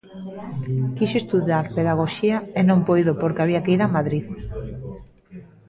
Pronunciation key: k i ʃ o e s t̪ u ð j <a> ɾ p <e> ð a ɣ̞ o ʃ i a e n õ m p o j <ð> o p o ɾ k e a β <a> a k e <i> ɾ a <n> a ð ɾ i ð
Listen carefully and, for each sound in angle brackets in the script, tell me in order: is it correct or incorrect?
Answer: correct, correct, correct, incorrect, correct, incorrect

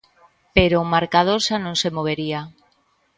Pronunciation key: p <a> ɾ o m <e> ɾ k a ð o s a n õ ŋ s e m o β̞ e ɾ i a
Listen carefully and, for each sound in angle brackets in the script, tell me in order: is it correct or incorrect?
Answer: incorrect, incorrect

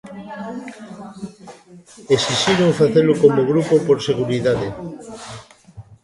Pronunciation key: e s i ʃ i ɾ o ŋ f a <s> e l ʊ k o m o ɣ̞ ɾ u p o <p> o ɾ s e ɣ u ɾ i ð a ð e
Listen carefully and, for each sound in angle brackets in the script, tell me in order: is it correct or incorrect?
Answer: incorrect, correct

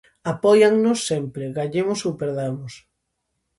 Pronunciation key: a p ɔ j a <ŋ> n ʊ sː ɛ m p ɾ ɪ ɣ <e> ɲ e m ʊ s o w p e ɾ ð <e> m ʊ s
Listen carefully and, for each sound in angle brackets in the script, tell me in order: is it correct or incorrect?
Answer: correct, incorrect, incorrect

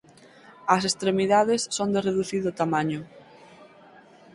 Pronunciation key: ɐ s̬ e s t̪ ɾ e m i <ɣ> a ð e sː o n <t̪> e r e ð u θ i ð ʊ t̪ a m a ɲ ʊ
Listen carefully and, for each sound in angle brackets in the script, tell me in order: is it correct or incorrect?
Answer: incorrect, incorrect

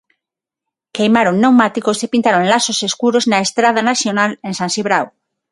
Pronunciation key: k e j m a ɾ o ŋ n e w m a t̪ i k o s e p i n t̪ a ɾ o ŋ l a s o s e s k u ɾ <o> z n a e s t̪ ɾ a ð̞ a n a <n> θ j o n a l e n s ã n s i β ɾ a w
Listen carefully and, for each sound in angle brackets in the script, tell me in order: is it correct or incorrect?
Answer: correct, incorrect

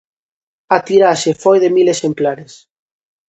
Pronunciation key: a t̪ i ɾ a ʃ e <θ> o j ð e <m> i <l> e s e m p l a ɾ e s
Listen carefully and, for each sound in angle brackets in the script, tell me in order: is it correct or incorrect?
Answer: incorrect, correct, correct

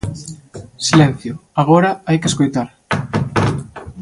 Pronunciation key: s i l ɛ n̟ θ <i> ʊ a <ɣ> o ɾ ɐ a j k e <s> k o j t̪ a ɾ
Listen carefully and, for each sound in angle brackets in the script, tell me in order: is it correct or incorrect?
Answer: incorrect, correct, correct

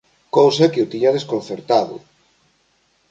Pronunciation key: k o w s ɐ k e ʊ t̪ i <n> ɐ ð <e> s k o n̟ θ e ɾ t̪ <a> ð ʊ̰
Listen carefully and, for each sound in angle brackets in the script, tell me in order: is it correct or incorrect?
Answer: incorrect, correct, correct

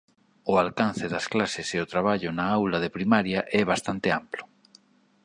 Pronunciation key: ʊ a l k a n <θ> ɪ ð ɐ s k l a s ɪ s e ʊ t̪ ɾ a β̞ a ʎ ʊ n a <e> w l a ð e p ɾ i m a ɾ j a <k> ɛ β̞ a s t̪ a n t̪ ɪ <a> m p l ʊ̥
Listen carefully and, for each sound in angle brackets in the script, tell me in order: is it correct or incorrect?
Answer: correct, incorrect, incorrect, correct

